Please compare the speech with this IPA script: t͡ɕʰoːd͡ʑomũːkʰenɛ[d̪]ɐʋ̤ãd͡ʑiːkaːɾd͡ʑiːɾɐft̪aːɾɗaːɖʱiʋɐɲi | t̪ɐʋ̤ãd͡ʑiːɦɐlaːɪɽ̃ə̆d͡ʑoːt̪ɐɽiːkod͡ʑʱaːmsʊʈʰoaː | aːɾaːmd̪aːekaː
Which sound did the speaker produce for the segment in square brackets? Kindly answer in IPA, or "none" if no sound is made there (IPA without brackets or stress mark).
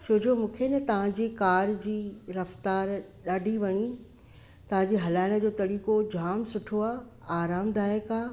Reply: t̪